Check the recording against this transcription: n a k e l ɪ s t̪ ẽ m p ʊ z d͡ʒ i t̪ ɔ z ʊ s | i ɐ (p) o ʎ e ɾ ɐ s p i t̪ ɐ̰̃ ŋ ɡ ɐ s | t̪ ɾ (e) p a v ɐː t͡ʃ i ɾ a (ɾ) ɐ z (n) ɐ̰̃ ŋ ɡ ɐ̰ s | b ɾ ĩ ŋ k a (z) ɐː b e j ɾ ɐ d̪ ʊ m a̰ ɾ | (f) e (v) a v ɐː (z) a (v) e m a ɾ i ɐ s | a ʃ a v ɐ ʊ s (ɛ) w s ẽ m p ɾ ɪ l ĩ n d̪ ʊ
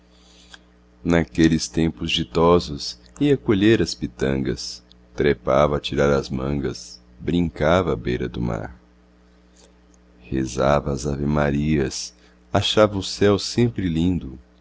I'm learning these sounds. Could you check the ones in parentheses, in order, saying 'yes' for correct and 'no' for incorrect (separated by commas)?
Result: no, yes, yes, no, no, no, no, yes, yes, yes